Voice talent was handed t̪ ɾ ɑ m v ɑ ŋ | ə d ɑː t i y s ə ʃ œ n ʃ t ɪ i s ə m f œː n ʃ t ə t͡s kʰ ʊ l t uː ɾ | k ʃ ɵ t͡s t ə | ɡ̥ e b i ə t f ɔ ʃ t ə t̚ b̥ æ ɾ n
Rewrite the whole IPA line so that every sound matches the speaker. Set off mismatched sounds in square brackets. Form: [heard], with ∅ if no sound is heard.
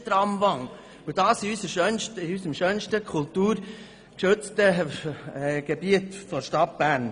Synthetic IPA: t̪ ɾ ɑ m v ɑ ŋ | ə d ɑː [s] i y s ə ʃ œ n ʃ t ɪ [y] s ə m [ʃ] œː n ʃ t ə [∅] kʰ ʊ l t uː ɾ | k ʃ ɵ t͡s t ə | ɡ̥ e b i ə t f ɔ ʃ t [ɑ] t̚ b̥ æ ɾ n